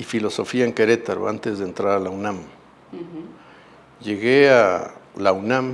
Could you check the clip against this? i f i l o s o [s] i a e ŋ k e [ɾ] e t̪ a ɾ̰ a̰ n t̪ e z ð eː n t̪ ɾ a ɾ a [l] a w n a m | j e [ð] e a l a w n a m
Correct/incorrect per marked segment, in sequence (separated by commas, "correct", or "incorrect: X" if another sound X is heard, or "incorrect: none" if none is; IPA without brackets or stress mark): incorrect: f, correct, correct, incorrect: ɣ